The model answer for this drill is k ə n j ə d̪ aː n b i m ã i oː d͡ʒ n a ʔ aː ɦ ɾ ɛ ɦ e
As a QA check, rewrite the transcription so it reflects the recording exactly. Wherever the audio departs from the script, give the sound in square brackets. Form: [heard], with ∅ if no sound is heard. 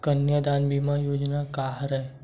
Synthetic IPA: k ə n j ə d̪ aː n b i m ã [j] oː d͡ʒ n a [k] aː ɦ ɾ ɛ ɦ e